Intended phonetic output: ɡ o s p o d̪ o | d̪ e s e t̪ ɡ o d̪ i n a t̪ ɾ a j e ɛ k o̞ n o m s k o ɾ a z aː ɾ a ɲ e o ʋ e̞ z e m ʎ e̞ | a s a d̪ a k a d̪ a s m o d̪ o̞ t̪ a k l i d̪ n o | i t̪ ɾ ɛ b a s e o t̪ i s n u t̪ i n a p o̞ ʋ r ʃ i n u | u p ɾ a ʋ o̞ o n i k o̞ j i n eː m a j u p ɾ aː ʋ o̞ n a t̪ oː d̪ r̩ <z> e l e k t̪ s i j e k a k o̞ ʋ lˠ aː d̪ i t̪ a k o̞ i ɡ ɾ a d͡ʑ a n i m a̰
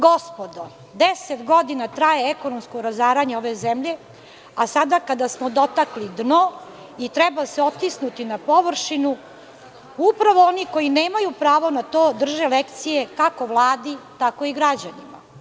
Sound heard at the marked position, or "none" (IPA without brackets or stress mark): ʒ